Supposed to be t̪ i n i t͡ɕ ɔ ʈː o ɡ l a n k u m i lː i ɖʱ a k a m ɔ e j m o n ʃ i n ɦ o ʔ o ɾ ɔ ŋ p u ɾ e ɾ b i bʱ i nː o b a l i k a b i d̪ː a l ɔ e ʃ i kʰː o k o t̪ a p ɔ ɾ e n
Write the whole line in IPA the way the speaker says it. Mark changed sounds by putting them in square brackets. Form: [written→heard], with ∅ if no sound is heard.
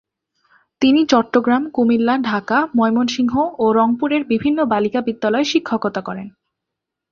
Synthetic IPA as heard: t̪ i n i t͡ɕ ɔ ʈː o ɡ [l→ɾ] a [n→m] k u m i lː [i→a] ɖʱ a k a m ɔ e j m o n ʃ i [n→ŋ] ɦ o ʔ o ɾ ɔ ŋ p u ɾ e ɾ b i bʱ i nː o b a l i k a b i d̪ː a l ɔ e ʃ i kʰː o k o t̪ a [p→k] ɔ ɾ e n